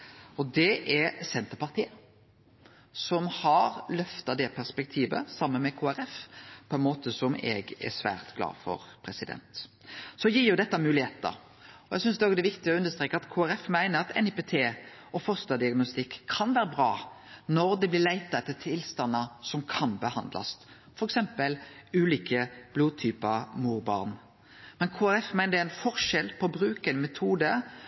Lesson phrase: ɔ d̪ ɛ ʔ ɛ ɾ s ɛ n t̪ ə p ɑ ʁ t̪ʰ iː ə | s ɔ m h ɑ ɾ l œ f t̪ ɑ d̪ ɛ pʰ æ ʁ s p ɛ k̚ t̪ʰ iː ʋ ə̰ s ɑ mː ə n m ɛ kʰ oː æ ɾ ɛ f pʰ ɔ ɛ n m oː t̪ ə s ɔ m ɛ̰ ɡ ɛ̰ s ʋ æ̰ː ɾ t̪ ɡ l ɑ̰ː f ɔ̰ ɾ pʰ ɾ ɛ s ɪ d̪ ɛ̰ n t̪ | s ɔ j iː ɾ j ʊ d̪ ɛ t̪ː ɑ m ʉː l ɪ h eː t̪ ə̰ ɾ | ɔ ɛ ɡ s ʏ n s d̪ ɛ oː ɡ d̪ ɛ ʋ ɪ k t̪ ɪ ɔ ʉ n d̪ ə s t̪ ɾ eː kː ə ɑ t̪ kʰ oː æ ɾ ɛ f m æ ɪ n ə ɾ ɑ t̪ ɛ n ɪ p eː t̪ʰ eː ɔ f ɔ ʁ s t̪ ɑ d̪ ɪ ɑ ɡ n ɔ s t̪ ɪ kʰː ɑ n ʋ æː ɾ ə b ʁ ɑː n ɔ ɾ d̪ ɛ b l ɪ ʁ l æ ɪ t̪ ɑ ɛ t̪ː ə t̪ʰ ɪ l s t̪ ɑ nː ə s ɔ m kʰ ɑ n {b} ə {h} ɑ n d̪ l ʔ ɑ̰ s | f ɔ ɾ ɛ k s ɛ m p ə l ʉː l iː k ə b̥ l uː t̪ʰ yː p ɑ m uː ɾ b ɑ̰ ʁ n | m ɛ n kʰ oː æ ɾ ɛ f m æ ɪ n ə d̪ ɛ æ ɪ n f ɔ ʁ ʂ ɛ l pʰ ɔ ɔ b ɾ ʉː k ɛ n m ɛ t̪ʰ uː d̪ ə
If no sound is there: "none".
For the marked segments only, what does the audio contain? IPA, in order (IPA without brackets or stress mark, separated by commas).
b, h